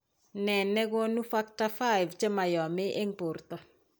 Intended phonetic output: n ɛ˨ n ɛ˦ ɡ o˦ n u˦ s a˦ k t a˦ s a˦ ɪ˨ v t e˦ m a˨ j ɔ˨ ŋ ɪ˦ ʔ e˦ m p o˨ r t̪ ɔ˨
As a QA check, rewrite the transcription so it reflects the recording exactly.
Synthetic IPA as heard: n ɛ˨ n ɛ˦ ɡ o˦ n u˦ f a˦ k t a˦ f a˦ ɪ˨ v t͡ʃ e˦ m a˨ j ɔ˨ m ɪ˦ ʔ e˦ ŋ p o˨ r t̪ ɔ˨